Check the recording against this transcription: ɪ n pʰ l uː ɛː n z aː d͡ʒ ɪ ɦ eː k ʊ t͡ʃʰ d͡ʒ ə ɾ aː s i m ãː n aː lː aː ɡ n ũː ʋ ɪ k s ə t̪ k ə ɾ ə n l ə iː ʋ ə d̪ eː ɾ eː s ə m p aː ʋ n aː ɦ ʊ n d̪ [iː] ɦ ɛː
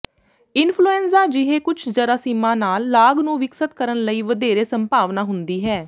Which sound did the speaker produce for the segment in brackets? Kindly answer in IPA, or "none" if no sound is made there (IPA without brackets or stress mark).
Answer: iː